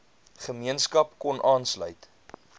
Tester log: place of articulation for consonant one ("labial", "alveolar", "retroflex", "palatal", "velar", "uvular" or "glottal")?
uvular